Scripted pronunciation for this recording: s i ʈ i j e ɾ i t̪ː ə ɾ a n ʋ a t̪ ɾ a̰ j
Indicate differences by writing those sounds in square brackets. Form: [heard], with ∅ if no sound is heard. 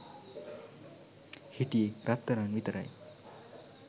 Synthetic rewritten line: [h] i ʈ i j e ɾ [a] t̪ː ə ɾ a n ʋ [i] t̪ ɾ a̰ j